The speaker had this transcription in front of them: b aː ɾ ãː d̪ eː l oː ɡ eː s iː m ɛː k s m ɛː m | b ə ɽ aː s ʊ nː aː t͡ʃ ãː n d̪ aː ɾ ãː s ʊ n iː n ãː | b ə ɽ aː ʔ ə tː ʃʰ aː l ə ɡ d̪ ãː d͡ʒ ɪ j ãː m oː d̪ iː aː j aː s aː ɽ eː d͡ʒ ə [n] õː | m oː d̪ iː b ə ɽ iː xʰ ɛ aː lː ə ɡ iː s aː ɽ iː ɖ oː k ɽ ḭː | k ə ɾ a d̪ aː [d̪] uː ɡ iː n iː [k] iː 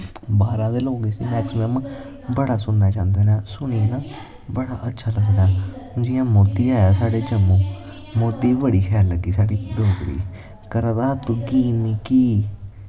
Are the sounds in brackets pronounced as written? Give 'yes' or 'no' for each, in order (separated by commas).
no, no, yes